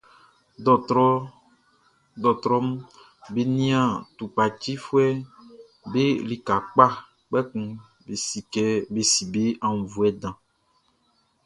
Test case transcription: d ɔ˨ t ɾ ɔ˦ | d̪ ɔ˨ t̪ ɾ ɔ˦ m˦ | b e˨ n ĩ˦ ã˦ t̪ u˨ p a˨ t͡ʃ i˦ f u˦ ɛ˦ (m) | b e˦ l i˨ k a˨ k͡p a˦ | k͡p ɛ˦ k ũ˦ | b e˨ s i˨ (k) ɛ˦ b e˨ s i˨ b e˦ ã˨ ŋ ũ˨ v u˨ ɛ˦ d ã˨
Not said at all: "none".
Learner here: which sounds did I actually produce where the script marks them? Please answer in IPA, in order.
none, k

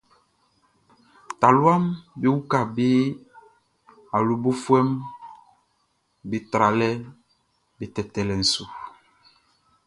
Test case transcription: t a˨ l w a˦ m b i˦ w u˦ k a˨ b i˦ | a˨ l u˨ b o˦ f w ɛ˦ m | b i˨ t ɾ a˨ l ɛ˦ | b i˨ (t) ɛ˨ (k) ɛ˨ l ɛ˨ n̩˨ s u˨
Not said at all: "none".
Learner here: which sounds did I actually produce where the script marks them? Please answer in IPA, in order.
t, t

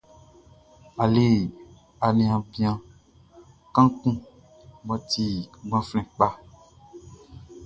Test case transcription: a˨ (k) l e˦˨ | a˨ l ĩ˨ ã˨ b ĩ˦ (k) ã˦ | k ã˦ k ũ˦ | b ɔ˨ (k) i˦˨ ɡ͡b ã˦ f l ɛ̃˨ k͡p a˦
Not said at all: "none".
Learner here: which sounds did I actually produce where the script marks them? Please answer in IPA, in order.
none, none, t

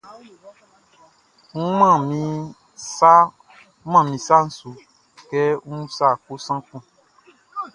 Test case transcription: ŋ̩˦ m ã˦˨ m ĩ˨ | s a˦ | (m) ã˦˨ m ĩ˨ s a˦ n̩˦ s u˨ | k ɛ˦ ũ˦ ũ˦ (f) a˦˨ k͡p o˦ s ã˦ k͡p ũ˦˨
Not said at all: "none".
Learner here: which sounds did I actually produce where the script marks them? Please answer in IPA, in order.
m, s

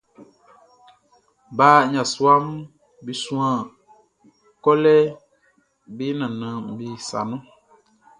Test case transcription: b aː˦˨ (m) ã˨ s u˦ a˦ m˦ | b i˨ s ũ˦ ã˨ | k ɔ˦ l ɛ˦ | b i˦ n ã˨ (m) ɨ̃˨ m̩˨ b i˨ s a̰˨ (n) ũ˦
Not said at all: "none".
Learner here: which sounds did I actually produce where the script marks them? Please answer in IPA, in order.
ɲ, n, n

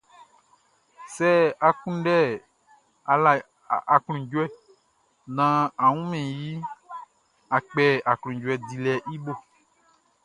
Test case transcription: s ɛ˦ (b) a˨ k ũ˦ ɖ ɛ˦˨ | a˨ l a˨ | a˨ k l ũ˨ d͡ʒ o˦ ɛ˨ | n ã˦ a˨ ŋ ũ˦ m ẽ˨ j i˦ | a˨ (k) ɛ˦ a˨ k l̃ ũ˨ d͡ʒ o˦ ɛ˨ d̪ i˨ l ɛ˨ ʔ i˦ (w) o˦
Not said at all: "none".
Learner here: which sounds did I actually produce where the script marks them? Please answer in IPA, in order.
none, k͡p, b

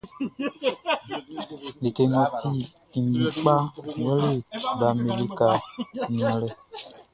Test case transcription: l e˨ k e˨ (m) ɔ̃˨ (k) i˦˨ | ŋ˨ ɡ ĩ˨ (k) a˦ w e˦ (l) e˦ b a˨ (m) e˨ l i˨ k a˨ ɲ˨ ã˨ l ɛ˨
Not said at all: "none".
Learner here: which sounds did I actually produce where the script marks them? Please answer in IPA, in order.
ŋ, t, k͡p, l, m

